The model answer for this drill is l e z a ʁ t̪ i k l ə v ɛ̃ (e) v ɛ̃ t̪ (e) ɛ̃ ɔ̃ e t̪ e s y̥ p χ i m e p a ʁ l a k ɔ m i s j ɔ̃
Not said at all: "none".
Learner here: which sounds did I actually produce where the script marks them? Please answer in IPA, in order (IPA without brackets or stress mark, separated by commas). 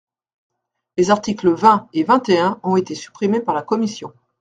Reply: e, e